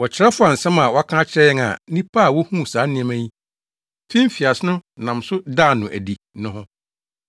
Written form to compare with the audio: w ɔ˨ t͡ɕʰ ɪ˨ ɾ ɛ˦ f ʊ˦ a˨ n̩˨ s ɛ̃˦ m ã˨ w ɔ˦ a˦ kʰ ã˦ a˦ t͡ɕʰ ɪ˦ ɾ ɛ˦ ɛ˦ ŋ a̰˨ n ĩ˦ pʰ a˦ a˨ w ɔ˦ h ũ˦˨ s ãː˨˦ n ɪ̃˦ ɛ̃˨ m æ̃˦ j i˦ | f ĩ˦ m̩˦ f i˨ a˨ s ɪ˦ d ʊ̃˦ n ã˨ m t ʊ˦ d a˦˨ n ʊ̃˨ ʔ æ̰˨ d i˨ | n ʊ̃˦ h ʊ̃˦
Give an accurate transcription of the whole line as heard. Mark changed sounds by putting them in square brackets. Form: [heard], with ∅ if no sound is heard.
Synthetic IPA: w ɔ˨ t͡ɕʰ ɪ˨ ɾ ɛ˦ f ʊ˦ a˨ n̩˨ s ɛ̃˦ m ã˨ w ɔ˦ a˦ kʰ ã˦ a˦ t͡ɕʰ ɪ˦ ɾ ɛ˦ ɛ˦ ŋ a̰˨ n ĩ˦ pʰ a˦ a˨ w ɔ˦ h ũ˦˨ s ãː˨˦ n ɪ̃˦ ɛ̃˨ m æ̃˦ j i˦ | f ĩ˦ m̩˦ f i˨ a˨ s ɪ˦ [n] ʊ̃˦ n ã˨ m [s] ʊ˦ d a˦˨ n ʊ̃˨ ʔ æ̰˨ d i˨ | n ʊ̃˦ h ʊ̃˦